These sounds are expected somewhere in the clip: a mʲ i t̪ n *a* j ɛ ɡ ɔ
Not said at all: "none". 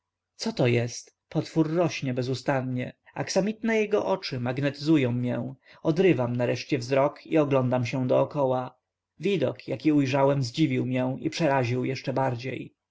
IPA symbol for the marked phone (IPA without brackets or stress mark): ɛ